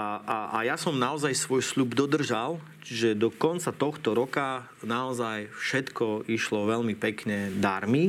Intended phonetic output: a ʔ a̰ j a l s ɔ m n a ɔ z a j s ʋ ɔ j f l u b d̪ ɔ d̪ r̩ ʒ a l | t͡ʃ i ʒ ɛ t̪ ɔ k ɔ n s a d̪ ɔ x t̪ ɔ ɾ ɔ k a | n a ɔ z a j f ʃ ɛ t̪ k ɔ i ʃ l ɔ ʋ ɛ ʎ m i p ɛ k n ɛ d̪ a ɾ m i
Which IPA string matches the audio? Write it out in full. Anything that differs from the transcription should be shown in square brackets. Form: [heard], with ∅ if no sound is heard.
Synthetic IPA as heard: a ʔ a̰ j a [∅] s ɔ m n a ɔ z a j s ʋ ɔ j [s] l u b d̪ ɔ d̪ r̩ ʒ a l | t͡ʃ i ʒ ɛ [d̪] ɔ k ɔ n [t͡s] a [t̪] ɔ x t̪ ɔ ɾ ɔ k a | n a ɔ z a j f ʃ ɛ t̪ k ɔ i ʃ l ɔ ʋ ɛ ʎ m i p ɛ k [ɲ] ɛ d̪ a ɾ m i